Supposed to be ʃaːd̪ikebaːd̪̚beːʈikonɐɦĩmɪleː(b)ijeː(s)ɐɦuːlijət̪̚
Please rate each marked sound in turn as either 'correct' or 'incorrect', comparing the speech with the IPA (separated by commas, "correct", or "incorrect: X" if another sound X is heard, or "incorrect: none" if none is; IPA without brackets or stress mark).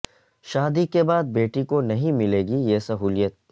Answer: incorrect: ɡ, correct